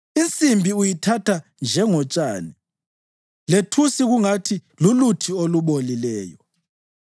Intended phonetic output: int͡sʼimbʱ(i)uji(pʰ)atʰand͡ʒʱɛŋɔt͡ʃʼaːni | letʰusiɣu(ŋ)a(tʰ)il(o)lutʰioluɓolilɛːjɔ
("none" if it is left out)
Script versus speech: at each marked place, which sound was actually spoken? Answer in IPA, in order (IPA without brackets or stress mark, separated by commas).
i, tʰ, ŋ, tʰ, u